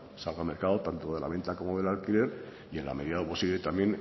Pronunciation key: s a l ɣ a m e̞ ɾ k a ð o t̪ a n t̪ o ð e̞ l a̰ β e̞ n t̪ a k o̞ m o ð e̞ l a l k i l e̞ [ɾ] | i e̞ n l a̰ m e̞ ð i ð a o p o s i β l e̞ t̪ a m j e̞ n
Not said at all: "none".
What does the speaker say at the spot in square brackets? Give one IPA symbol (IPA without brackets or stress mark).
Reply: ɾ